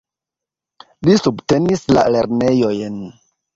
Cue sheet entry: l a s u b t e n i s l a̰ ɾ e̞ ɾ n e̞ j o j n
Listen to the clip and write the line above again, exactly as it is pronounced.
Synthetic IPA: l i s u b t e n i s l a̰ l e̞ ɾ n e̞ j o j n